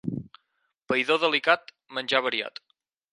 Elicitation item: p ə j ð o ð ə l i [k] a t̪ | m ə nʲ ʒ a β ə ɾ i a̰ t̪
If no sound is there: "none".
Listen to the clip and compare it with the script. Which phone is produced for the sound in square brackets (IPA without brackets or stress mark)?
k